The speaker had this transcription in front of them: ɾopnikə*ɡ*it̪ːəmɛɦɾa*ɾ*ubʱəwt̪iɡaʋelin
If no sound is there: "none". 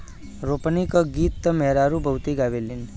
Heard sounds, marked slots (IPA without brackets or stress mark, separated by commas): ɡ, ɾ